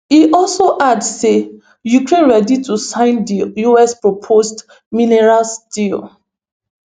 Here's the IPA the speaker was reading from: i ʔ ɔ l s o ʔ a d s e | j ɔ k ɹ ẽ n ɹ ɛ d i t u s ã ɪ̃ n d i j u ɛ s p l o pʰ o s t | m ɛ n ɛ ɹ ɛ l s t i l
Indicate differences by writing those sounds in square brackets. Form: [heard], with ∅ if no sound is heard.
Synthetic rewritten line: i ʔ ɔ l s o ʔ a d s e | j [u] k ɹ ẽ n ɹ ɛ d i t u s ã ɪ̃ n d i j u ɛ s p [ɹ] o pʰ o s t | m [i] n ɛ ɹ [a] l s t i l